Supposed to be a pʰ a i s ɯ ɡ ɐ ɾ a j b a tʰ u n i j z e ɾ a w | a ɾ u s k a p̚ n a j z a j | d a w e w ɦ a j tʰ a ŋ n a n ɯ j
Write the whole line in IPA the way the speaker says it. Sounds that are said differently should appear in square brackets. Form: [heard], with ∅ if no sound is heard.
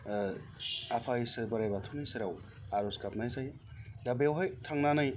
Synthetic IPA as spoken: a pʰ a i s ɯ [b] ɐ ɾ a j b a tʰ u n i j [s] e ɾ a w | a ɾ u s k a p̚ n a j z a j | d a [b] e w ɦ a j tʰ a ŋ n a n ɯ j